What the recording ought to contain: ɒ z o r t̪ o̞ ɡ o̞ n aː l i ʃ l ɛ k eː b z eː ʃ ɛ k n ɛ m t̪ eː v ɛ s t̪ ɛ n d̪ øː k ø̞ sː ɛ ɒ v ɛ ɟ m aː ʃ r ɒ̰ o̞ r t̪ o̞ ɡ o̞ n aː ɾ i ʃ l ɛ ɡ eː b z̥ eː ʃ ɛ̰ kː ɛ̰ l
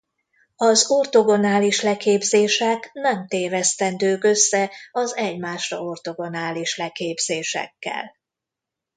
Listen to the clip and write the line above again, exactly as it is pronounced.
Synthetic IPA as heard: ɒ z o r t̪ o̞ ɡ o̞ n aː l i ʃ l ɛ k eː b z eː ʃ ɛ k n ɛ m t̪ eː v ɛ s t̪ ɛ n d̪ øː k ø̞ sː ɛ ɒ z ɛ ɟ m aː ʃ r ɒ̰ o̞ r t̪ o̞ ɡ o̞ n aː l i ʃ l ɛ k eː b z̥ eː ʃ ɛ̰ kː ɛ̰ l